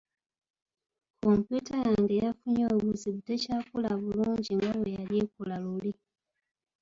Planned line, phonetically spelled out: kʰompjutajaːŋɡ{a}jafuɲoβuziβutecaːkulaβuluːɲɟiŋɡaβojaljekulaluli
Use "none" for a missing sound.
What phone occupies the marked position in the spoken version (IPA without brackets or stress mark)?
e